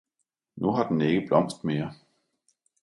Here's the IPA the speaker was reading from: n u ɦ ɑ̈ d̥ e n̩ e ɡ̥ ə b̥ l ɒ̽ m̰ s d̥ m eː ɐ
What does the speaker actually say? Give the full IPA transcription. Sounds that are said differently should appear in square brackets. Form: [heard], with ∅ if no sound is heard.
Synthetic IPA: n u ɦ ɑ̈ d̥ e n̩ e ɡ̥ ə b̥ l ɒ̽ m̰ s d̥ m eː ɐ